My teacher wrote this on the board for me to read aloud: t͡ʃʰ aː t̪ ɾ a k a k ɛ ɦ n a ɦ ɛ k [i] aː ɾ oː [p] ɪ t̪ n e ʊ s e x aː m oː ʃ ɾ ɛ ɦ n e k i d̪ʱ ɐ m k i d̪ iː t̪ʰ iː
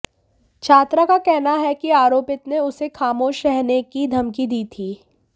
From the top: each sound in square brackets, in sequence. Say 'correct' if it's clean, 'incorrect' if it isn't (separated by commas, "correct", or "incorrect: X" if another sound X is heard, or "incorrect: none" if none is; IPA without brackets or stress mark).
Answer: correct, correct